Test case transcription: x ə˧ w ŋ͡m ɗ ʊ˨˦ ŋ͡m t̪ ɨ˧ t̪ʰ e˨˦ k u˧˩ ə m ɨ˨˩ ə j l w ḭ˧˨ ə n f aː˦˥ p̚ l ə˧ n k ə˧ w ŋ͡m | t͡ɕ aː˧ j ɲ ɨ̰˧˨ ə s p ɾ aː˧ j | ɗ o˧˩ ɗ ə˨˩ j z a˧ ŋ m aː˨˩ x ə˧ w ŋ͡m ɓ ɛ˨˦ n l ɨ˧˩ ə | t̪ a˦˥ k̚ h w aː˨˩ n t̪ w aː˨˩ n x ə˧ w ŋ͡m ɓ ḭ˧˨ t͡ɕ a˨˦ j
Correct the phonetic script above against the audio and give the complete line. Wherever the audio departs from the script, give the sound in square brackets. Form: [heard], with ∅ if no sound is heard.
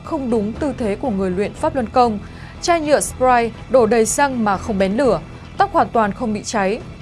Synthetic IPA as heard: x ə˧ w ŋ͡m ɗ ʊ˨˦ ŋ͡m t̪ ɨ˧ t̪ʰ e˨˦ k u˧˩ ə [ŋ] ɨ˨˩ ə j l w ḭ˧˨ ə n f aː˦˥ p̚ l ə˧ n k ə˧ w ŋ͡m | t͡ɕ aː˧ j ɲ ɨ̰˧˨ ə s p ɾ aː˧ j | ɗ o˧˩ ɗ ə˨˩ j [s] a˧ ŋ m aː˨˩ x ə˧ w ŋ͡m ɓ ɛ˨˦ n l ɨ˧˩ ə | t̪ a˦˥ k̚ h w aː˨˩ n t̪ w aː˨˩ n x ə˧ w ŋ͡m ɓ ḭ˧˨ t͡ɕ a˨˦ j

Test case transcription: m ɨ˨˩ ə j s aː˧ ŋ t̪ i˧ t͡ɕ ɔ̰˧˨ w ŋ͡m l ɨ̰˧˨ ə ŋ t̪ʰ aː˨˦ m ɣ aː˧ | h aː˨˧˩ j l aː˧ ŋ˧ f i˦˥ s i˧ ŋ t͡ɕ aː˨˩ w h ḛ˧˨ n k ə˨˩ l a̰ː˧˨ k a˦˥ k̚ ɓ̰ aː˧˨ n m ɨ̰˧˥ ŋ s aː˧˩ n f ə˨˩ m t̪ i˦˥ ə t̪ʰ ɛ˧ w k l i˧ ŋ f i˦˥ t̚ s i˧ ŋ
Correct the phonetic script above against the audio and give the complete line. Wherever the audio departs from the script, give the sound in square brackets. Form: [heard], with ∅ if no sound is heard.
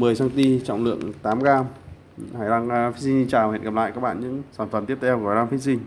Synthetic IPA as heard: m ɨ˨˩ ə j s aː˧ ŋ t̪ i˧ t͡ɕ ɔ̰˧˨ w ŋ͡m l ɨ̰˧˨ ə ŋ [t̪] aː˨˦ m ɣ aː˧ | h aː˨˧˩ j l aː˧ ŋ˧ f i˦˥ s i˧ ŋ t͡ɕ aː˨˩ w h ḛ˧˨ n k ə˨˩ l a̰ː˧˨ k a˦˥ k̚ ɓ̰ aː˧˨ n [ɲ] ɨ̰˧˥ ŋ s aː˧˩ n f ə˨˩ m t̪ i˦˥ ə t̪ʰ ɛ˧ w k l [a˧] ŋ f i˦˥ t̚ s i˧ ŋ

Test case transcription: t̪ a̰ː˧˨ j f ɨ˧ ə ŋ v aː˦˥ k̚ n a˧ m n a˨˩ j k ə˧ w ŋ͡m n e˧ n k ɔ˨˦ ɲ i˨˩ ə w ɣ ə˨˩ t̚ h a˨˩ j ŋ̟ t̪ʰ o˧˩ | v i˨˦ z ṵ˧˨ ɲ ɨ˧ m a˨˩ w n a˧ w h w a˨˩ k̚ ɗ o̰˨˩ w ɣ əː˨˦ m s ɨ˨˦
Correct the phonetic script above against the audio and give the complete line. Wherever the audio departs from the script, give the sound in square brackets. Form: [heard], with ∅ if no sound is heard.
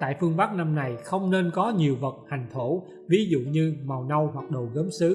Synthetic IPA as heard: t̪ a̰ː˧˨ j f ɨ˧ ə ŋ v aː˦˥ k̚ n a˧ m n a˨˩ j [x] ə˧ w ŋ͡m n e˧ n k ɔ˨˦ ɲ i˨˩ ə w [v] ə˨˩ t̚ h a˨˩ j ŋ̟ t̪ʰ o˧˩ | v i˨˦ z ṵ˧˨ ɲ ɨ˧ m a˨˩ w n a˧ w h w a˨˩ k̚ ɗ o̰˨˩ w ɣ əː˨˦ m s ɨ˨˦

